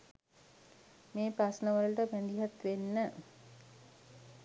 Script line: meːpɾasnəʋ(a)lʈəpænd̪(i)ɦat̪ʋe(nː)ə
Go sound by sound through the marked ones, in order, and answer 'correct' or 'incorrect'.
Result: incorrect: ə, correct, correct

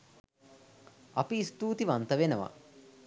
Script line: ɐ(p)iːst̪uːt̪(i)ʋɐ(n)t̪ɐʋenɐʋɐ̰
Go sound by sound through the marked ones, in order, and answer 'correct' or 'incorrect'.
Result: correct, correct, correct

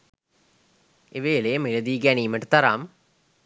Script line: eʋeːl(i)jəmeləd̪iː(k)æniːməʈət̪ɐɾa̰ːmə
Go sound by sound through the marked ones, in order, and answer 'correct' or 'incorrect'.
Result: incorrect: e, incorrect: ɡ

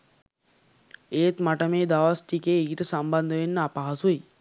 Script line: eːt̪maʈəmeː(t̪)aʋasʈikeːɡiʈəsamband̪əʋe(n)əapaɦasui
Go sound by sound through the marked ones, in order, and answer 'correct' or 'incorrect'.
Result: incorrect: d̪, incorrect: nː

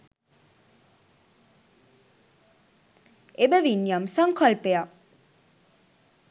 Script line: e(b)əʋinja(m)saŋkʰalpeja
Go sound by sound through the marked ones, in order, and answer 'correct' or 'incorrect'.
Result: correct, correct

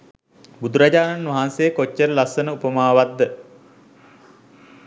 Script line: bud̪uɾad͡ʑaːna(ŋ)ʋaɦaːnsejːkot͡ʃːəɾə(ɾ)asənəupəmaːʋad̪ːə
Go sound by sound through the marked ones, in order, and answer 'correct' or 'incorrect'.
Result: incorrect: n, incorrect: l

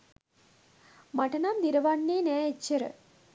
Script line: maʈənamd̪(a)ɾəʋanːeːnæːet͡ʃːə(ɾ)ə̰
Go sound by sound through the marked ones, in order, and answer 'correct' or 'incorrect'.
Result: incorrect: i, correct

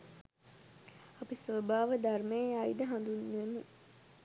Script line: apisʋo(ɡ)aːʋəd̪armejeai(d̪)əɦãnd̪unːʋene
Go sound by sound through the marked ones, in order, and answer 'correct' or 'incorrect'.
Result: incorrect: b, correct

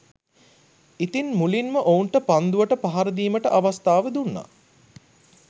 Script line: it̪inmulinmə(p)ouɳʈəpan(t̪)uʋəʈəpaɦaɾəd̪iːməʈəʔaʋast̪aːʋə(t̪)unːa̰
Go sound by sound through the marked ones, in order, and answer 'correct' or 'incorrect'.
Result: incorrect: ʔ, incorrect: d̪, incorrect: d̪

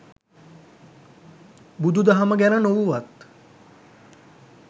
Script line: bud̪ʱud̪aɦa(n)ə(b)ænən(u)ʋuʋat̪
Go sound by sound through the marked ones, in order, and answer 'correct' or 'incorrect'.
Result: incorrect: m, incorrect: ɡ, incorrect: o

